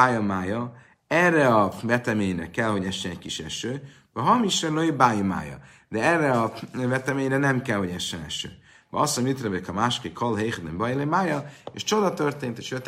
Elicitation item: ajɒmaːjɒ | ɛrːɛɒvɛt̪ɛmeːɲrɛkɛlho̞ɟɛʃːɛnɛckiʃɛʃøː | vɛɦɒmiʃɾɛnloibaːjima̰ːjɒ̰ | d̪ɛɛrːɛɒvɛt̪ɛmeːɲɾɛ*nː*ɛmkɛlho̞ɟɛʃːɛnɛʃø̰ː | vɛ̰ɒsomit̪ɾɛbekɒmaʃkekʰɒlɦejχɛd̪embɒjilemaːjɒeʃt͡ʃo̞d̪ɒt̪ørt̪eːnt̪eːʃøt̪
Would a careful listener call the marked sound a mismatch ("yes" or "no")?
yes